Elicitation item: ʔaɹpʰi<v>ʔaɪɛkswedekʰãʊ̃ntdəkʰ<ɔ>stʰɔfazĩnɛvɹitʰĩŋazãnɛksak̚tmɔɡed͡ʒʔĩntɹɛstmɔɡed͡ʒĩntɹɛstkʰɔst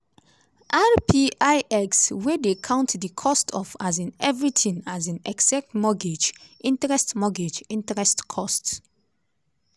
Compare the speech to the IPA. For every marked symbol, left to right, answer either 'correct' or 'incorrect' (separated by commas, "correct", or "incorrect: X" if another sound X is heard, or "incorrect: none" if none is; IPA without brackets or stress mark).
incorrect: none, correct